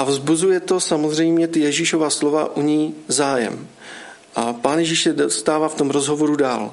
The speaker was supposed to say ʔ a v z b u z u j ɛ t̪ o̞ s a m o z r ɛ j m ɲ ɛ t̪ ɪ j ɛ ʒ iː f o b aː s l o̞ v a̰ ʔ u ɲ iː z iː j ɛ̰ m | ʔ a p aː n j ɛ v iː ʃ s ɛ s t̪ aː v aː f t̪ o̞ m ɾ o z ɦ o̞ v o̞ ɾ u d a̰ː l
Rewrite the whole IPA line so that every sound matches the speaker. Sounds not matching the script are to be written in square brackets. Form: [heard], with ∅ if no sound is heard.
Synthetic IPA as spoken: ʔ a v z b u z u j ɛ t̪ o̞ s a m o z r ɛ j m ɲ ɛ t̪ ɪ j ɛ ʒ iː [ʃ] o [v] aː s l o̞ v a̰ ʔ u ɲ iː z [aː] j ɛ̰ m | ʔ a p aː n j ɛ [ʒ] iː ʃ s ɛ s t̪ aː v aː f t̪ o̞ m ɾ o z ɦ o̞ v o̞ ɾ u d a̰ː l